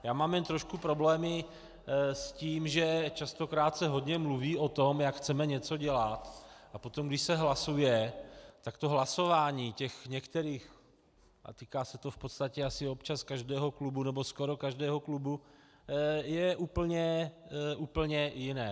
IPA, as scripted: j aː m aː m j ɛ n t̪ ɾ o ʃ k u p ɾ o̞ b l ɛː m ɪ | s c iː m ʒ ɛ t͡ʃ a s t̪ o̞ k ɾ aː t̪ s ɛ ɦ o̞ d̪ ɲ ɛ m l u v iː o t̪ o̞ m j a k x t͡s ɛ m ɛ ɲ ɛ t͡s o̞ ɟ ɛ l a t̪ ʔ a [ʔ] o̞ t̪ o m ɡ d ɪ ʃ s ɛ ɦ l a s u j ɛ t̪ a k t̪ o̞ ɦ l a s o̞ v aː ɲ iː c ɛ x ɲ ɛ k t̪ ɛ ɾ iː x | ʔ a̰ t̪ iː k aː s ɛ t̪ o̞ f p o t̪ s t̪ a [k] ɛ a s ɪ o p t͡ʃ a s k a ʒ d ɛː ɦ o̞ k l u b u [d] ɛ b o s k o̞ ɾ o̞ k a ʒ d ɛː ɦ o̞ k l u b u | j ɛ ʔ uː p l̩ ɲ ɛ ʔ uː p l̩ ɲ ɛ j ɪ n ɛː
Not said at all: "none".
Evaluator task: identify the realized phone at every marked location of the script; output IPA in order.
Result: p, c, n

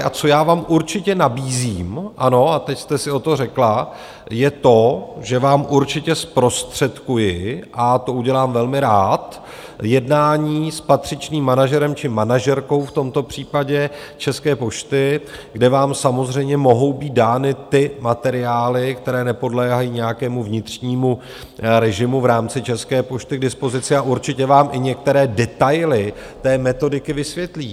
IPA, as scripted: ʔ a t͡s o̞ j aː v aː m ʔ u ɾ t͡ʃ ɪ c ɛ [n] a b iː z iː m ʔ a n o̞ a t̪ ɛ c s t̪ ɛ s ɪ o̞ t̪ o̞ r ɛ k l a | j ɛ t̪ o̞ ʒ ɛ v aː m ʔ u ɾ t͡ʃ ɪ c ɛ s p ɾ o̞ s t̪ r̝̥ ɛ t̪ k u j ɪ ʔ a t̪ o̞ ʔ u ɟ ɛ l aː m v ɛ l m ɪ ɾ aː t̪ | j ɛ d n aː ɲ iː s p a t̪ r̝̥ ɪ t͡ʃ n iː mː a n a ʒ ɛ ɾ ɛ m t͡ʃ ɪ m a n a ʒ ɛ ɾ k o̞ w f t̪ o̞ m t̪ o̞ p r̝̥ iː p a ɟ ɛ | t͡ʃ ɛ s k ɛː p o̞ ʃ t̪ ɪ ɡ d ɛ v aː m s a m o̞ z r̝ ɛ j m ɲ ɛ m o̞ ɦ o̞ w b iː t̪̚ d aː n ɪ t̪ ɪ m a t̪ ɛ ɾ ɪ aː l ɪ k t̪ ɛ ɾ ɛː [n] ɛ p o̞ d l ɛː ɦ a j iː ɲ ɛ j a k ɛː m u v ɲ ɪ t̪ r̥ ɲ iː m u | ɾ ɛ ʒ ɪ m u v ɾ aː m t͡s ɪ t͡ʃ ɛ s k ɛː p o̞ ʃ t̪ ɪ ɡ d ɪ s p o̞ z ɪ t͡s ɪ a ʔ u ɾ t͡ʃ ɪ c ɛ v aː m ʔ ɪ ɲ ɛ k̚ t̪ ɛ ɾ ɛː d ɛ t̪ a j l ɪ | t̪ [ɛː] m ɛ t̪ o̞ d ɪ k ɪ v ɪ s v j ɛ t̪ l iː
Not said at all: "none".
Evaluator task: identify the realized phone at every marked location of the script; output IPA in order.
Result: n, n, ɛː

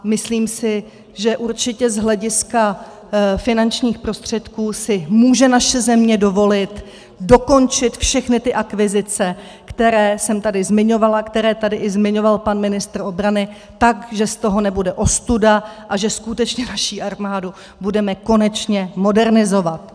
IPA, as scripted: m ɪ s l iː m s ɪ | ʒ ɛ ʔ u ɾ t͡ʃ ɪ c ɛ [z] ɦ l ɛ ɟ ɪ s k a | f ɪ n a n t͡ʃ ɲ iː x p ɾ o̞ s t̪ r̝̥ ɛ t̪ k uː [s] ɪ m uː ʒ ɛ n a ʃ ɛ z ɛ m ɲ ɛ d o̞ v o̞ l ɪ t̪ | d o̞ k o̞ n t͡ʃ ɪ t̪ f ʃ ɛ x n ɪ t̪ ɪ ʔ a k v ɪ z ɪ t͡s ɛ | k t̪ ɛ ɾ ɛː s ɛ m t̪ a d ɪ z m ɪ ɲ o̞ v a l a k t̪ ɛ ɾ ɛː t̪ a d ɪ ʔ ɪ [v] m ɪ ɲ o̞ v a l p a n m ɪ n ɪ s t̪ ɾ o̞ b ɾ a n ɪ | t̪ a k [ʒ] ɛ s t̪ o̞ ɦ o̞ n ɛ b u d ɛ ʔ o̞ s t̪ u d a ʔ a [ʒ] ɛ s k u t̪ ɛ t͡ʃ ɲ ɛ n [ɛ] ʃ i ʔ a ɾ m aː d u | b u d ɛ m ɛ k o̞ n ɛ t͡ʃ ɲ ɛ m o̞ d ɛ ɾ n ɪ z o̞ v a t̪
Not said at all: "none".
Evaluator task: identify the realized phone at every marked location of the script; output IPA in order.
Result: z, s, z, ʒ, ʒ, a

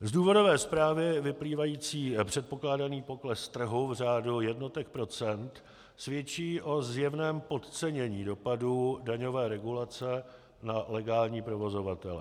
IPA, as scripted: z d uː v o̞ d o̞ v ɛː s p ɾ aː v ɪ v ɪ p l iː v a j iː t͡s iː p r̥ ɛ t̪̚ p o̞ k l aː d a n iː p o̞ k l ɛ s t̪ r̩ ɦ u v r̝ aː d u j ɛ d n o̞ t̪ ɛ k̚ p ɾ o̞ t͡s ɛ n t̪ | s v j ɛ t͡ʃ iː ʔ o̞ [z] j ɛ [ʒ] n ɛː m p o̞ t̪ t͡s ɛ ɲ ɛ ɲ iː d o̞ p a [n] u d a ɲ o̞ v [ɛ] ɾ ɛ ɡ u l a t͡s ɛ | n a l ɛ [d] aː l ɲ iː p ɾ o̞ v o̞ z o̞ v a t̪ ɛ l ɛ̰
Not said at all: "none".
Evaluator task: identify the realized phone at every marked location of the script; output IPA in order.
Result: z, v, d, ɛː, ɡ

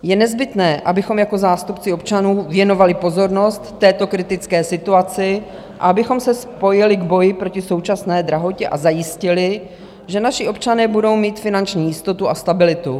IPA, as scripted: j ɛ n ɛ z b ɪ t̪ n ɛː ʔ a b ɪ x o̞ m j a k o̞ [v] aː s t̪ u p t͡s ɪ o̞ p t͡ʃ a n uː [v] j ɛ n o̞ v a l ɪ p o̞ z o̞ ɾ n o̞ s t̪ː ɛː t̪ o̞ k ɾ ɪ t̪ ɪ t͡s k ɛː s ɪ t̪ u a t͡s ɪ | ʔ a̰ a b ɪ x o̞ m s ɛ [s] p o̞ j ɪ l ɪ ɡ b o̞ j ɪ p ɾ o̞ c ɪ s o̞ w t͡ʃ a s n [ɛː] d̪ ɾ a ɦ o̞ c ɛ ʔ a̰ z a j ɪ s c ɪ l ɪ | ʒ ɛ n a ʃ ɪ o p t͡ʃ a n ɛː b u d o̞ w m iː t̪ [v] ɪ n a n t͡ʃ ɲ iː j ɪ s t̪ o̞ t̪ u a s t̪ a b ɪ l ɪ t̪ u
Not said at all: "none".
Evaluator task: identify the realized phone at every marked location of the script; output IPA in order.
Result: z, v, s, ɛː, f

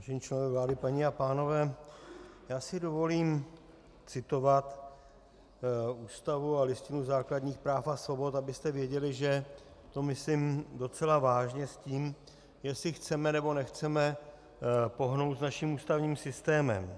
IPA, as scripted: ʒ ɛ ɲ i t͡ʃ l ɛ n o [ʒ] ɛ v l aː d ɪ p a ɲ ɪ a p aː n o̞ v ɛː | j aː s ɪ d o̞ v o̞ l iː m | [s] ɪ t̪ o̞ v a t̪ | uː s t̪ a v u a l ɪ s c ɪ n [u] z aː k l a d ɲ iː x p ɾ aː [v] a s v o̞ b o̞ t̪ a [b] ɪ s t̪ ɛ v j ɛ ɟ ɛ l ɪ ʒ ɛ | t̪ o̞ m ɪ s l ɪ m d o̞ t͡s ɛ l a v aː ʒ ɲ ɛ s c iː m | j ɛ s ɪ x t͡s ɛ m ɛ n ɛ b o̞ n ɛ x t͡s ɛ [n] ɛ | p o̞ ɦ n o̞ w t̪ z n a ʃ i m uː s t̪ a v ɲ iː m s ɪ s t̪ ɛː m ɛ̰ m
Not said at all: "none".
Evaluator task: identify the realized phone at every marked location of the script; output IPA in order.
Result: v, t͡s, u, f, b, m

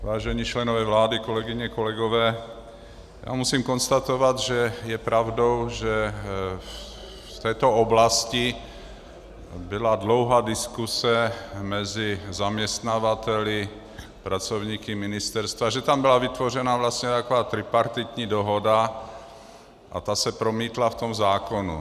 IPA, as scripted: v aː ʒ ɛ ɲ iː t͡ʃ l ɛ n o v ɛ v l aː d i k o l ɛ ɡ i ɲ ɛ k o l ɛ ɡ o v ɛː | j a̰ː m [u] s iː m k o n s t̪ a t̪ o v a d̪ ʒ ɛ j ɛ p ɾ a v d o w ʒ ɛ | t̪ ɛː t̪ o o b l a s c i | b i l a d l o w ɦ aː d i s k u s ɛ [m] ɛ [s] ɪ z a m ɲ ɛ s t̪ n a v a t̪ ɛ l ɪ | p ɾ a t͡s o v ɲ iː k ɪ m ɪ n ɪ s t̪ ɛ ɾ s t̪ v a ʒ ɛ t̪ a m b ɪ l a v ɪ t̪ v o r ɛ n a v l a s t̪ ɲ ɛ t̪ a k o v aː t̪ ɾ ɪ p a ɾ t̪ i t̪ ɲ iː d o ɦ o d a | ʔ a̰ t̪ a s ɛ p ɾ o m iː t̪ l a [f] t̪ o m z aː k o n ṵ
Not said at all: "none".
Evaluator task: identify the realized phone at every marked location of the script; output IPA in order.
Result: u, m, z, f

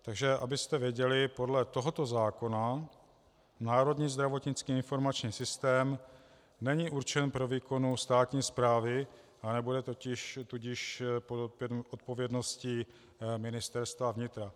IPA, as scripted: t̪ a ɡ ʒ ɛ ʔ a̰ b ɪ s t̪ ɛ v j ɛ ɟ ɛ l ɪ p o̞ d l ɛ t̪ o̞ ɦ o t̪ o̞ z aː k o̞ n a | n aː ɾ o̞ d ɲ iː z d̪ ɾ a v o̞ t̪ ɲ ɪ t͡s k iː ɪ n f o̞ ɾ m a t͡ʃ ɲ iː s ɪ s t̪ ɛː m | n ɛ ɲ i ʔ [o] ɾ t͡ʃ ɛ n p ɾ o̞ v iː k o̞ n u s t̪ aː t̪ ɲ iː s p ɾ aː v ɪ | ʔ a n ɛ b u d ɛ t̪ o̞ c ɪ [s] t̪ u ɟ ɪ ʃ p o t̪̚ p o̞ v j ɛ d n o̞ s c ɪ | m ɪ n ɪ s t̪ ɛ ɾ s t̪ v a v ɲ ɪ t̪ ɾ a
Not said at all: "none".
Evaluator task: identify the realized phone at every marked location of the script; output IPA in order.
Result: u, ʃ

